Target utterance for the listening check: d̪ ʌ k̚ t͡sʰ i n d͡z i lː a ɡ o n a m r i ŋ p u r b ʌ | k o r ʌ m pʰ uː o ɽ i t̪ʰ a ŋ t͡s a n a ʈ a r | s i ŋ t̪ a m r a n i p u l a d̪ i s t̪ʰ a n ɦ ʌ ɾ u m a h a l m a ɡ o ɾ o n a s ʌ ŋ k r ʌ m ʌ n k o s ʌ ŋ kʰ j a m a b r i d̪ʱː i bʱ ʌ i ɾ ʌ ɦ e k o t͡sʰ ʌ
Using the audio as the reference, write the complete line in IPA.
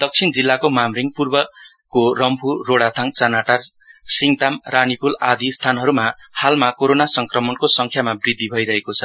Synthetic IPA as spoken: d̪ ʌ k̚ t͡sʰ i n d͡z i lː a k o m a m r i ŋ p u r b ʌ | k o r ʌ m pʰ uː o ɽ a t̪ʰ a ŋ t͡s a n a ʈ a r | s i ŋ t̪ a m r a n i p u l a d̪ i s t̪ʰ a n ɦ ʌ ɾ u m a h a l m a k o ɾ o n a s ʌ ŋ k r ʌ m ʌ n k o s ʌ ŋ kʰ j a m a b r i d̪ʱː i bʱ ʌ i ɾ ʌ ɦ e k o t͡sʰ ʌ